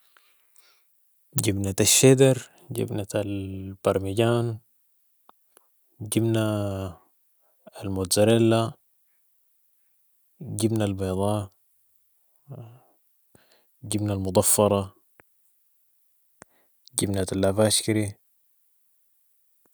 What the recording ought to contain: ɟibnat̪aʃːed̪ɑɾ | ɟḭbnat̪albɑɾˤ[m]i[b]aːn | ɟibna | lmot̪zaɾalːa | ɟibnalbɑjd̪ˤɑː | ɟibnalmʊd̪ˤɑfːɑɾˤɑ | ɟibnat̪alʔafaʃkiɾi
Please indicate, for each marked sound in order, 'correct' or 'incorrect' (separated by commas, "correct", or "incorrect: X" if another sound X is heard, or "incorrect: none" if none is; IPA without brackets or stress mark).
correct, incorrect: ɟ